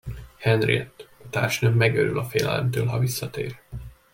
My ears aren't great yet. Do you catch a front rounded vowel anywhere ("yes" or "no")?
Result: yes